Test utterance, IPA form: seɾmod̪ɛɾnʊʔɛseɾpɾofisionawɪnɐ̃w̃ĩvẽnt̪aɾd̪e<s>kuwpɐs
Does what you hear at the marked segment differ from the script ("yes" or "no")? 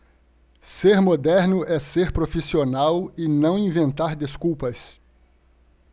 no